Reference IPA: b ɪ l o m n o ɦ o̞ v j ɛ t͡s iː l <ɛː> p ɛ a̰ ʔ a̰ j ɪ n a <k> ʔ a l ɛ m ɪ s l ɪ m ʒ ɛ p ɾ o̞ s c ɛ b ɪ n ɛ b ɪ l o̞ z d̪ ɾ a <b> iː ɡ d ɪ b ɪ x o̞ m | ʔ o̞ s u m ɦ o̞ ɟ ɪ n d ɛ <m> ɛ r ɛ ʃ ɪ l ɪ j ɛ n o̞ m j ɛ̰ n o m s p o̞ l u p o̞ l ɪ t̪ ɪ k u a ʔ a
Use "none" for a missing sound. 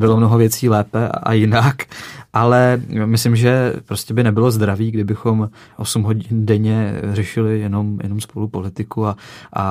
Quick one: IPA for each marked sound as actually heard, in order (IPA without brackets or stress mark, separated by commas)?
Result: ɛː, k, v, ɲ